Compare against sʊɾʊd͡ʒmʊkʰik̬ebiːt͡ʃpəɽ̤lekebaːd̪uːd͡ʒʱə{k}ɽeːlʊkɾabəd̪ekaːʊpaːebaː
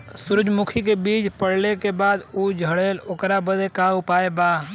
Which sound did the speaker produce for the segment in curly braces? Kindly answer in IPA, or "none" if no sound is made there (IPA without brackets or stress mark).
none